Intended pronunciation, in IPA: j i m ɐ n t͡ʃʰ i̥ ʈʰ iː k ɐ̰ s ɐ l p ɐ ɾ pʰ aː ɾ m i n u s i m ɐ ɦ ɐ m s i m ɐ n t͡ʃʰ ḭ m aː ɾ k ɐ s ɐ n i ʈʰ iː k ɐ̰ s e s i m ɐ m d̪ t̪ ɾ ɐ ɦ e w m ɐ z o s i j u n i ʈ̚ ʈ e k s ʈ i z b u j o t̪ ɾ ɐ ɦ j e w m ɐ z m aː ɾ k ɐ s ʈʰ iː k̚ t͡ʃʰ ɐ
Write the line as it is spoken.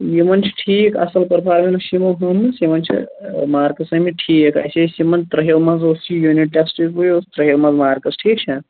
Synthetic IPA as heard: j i m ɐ n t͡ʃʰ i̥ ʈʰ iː k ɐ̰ s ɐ l p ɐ ɾ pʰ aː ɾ m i n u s i m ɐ ɦ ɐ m s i m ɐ n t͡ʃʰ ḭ m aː ɾ k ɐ s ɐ m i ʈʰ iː k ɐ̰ s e s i m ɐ n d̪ t̪ ɾ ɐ ɦ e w m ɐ z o s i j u n i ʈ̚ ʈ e k s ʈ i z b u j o t̪ ɾ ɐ ɦ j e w m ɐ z m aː ɾ k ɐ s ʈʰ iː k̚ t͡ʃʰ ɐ